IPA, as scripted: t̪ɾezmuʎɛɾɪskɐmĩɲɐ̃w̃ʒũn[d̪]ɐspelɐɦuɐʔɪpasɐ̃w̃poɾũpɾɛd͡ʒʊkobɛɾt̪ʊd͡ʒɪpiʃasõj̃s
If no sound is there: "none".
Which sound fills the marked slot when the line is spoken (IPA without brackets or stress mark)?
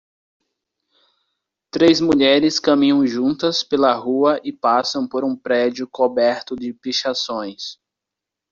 t̪